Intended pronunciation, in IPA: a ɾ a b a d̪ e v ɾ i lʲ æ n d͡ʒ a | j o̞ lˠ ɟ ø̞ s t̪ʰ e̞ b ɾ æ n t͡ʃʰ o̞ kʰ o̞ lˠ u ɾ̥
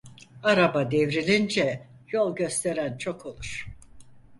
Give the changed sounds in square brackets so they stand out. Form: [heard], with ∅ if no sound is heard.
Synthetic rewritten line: a ɾ a b a d̪ e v ɾ i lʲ [i] n d͡ʒ [ɛ] | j o̞ lˠ ɟ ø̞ s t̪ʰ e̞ [∅] ɾ æ n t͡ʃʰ o̞ kʰ o̞ lˠ u ɾ̥